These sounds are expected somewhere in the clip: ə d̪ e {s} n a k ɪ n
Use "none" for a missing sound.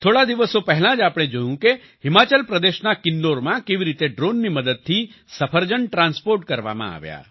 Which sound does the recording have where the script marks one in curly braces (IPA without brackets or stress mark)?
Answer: ʃ